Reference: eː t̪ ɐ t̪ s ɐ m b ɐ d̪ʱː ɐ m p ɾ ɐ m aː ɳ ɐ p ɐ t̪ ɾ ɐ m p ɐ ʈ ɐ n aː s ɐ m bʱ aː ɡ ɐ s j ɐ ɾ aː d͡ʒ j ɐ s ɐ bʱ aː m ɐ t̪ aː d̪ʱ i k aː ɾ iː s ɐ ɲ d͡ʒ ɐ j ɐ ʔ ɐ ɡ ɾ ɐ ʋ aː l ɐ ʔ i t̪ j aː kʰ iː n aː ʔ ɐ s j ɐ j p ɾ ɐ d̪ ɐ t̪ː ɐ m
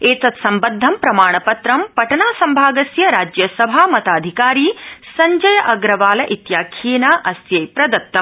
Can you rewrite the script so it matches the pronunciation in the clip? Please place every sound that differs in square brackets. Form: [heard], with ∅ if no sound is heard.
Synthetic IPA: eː t̪ ɐ t̪ s ɐ m b ɐ d̪ʱː ɐ m p ɾ ɐ m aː ɳ ɐ p ɐ t̪ ɾ ɐ m p ɐ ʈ ɐ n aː s ɐ m bʱ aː ɡ ɐ s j ɐ ɾ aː d͡ʒ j ɐ s ɐ bʱ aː m ɐ t̪ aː d̪ʱ i k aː ɾ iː s ɐ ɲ d͡ʒ ɐ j ɐ ʔ ɐ ɡ ɾ ɐ ʋ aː l ɐ ʔ i t̪ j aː kʰ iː n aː ʔ ɐ s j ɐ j p ɾ ɐ d̪ ɐ t̪ː ɐ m

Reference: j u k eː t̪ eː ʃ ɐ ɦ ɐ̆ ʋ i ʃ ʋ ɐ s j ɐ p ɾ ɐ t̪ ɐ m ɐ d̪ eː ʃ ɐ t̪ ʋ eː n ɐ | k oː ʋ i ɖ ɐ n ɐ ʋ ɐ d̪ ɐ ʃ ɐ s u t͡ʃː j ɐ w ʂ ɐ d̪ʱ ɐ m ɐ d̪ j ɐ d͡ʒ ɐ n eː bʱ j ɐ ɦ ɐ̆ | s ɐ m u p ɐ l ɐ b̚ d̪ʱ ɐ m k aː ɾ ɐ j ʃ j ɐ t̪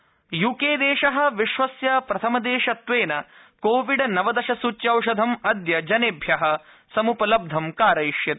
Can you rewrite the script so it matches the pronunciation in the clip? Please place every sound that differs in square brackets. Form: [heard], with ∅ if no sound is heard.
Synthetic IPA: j u k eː [d̪] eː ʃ ɐ ɦ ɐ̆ ʋ i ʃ ʋ ɐ s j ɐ p ɾ ɐ [t̪ʰ] ɐ m ɐ d̪ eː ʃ ɐ t̪ ʋ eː n ɐ | k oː ʋ i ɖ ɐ n ɐ ʋ ɐ d̪ ɐ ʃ ɐ s u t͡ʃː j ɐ w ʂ ɐ d̪ʱ ɐ m ɐ d̪ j ɐ d͡ʒ ɐ n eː bʱ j ɐ ɦ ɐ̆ | s ɐ m u p ɐ l ɐ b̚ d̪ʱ ɐ m k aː ɾ ɐ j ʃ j ɐ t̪

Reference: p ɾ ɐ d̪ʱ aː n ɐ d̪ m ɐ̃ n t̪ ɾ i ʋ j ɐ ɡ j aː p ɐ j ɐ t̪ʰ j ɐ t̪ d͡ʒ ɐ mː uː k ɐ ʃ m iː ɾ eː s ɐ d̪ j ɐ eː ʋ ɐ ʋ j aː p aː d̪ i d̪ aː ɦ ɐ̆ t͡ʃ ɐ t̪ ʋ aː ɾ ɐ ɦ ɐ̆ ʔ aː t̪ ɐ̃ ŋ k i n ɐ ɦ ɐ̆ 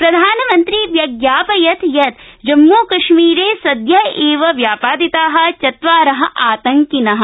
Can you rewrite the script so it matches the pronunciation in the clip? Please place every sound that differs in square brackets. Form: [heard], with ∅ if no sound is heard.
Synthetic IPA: p ɾ ɐ d̪ʱ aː n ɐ [∅] m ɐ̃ n t̪ ɾ i ʋ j ɐ ɡ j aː p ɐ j ɐ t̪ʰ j ɐ t̪ d͡ʒ ɐ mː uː k ɐ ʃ m iː ɾ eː s ɐ d̪ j ɐ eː ʋ ɐ ʋ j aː p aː d̪ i [t̪] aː ɦ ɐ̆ t͡ʃ ɐ t̪ ʋ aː ɾ ɐ ɦ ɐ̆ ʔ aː t̪ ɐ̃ ŋ k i n ɐ ɦ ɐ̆

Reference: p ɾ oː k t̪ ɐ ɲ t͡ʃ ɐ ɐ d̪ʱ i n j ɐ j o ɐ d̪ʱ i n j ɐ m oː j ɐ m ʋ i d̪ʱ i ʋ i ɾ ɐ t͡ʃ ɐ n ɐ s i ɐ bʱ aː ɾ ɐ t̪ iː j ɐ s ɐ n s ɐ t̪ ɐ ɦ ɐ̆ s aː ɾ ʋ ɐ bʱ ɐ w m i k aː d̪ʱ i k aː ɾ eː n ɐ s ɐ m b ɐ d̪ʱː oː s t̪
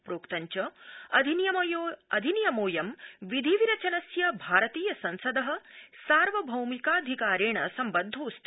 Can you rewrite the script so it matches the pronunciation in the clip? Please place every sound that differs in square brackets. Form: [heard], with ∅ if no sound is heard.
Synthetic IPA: p ɾ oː k t̪ ɐ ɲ t͡ʃ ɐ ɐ d̪ʱ i n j ɐ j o ɐ d̪ʱ i n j ɐ m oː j ɐ m ʋ i d̪ʱ i ʋ i ɾ ɐ t͡ʃ ɐ n ɐ s [j] ɐ bʱ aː ɾ ɐ t̪ iː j ɐ s ɐ n s ɐ [d̪] ɐ ɦ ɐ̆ s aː ɾ ʋ ɐ bʱ ɐ w m i k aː d̪ʱ i k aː ɾ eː [ɳ] ɐ s ɐ m b ɐ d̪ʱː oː s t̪

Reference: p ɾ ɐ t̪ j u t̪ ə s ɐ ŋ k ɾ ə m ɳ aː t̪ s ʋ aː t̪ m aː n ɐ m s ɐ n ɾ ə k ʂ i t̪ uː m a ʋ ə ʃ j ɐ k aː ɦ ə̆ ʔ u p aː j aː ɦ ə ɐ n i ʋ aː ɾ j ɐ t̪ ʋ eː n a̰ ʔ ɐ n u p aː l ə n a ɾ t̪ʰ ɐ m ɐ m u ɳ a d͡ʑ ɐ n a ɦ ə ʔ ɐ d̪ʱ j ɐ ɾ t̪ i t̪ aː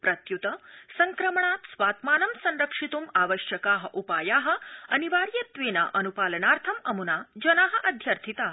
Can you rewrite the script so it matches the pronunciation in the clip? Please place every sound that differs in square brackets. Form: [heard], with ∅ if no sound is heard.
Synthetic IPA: p ɾ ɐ t̪ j u t̪ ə s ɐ ŋ k ɾ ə m ɳ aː t̪ s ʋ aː t̪ m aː n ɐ m s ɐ n ɾ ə k ʂ i t̪ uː m a ʋ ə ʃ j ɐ k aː ɦ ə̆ ʔ u p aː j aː ɦ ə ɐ n i ʋ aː ɾ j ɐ t̪ ʋ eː n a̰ ʔ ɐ n u p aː l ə n a ɾ t̪ʰ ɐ m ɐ m u [n] a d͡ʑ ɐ n a ɦ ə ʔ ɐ d̪ʱ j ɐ ɾ [t̪ʰ] i t̪ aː

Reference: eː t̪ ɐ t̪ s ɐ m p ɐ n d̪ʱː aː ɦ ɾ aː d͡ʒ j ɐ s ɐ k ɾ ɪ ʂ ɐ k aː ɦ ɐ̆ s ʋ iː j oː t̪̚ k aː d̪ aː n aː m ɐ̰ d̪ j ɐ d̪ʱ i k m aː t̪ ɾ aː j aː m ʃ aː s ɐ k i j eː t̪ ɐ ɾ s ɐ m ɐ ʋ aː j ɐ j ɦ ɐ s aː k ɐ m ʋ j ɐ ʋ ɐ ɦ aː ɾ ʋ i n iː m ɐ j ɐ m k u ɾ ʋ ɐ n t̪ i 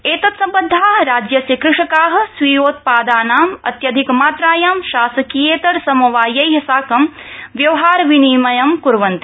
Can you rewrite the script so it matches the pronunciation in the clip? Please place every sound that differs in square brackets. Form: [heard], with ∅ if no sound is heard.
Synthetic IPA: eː t̪ ɐ t̪ s ɐ m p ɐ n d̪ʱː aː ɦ ɾ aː d͡ʒ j ɐ s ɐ k ɾ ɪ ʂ ɐ k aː ɦ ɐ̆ s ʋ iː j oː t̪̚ [p] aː d̪ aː n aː m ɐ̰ [t̪] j ɐ d̪ʱ i k m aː t̪ ɾ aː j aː m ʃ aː s ɐ k i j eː t̪ ɐ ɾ s ɐ m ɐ ʋ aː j ɐ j ɦ ɐ s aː k ɐ m ʋ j ɐ ʋ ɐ ɦ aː ɾ ʋ i n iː m ɐ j ɐ m k u ɾ ʋ ɐ n t̪ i

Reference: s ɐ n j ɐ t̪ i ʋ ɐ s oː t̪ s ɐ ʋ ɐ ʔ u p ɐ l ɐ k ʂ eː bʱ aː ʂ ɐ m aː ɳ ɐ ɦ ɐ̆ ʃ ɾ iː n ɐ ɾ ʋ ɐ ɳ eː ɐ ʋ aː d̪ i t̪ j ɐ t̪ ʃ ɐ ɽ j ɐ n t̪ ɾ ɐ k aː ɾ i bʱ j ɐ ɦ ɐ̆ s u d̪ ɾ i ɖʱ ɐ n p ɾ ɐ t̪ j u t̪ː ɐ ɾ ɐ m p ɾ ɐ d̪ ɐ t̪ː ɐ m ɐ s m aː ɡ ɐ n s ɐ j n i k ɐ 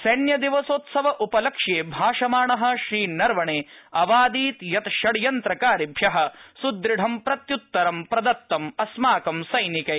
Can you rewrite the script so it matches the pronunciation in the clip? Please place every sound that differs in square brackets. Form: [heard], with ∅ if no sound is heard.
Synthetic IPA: s ɐ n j ɐ [d̪] i ʋ ɐ s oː t̪ s ɐ ʋ ɐ ʔ u p ɐ l ɐ k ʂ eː bʱ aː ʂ ɐ m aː ɳ ɐ ɦ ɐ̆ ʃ ɾ iː n ɐ ɾ ʋ ɐ ɳ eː ɐ ʋ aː d̪ [iː] t̪ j ɐ t̪ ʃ ɐ ɽ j ɐ n t̪ ɾ ɐ k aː ɾ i bʱ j ɐ ɦ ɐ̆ s u d̪ ɾ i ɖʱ ɐ [m] p ɾ ɐ t̪ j u t̪ː ɐ ɾ ɐ m p ɾ ɐ d̪ ɐ t̪ː ɐ m ɐ s m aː [k] ɐ [m] s ɐ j n i k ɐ

